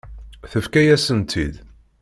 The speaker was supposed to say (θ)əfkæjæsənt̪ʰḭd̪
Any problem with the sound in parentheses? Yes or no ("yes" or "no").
no